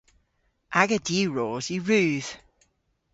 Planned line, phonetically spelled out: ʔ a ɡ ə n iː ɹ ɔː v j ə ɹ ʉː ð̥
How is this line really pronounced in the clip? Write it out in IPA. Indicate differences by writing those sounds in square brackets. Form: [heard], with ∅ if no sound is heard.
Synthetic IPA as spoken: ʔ a ɡ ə [d] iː ɹ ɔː [z] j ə ɹ ʉː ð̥